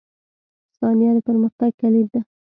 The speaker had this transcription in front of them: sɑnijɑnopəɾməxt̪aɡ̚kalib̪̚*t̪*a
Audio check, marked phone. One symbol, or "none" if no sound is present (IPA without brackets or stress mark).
d̪